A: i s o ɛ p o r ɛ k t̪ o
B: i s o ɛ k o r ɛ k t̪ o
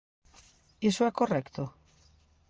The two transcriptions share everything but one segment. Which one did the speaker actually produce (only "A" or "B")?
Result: B